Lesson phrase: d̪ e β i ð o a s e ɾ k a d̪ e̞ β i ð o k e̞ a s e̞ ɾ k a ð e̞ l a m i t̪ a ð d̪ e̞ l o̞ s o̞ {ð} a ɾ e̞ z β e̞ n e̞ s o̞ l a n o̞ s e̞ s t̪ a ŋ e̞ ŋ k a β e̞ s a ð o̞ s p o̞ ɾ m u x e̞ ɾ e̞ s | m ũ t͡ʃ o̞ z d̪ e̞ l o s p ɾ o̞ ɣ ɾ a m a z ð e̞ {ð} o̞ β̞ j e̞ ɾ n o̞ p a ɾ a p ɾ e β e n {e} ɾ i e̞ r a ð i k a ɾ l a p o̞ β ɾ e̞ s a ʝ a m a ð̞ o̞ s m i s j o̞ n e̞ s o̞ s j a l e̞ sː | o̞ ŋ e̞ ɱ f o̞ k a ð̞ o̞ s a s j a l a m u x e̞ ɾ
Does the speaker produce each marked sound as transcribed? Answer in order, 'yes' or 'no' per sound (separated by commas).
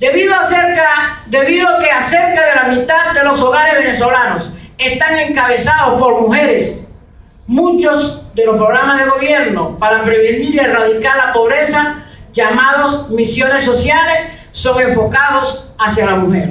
no, no, no